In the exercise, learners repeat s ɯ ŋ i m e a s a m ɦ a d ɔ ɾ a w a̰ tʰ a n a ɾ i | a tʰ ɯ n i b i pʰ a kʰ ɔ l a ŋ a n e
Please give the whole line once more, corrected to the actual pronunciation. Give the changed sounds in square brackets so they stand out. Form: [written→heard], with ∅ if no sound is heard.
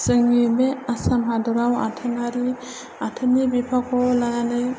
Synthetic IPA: s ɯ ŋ i m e a s a m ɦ a d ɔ ɾ a w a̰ tʰ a n a ɾ i | a tʰ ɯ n i b i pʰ a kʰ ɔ l a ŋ a n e

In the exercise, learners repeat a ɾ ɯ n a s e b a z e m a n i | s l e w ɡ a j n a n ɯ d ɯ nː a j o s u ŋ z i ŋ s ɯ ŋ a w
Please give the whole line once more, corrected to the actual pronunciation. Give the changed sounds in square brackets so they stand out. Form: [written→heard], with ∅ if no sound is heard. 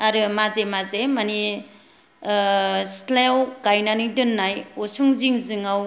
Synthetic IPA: a ɾ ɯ [n→m] a [s→z] e [b→m] a z e m a n i | s l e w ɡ a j n a n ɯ d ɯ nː a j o s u ŋ z i ŋ [s→z] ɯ ŋ a w

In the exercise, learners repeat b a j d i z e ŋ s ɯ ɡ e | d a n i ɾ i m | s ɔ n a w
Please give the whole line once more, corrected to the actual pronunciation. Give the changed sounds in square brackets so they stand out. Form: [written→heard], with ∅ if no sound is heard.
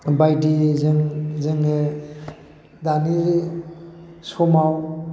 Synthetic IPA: b a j d i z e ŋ [s→z] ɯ [ɡ→ŋ] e | d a n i ɾ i [m→∅] | s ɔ [n→m] a w

